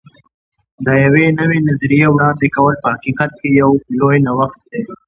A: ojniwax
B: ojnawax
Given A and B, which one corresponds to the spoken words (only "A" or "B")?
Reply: B